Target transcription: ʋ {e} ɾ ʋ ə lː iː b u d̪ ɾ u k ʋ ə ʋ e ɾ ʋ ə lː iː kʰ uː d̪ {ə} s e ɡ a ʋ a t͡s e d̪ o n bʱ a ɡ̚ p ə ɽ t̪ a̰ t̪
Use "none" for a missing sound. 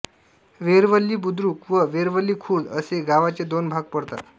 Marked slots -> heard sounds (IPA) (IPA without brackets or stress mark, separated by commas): e, ə